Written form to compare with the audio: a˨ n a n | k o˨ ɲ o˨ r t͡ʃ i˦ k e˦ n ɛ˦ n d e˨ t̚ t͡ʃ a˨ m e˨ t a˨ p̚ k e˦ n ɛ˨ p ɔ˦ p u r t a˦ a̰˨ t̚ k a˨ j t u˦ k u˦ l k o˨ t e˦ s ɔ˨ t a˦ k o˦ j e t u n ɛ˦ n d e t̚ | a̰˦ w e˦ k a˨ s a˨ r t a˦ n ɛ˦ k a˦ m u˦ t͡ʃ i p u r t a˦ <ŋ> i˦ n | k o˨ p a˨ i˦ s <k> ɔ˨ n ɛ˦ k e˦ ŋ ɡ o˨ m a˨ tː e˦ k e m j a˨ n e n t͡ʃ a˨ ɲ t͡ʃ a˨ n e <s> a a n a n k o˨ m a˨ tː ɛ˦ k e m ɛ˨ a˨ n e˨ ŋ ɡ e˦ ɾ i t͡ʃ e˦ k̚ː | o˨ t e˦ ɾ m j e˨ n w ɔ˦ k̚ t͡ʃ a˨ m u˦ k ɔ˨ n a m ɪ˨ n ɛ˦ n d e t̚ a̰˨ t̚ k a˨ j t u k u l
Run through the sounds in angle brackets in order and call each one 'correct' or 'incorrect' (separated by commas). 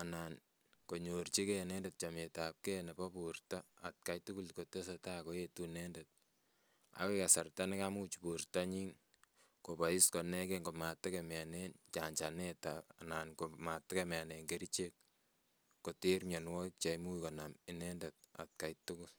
incorrect, correct, incorrect